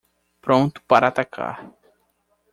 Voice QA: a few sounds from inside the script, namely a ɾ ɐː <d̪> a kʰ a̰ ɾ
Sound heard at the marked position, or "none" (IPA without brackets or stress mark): t̪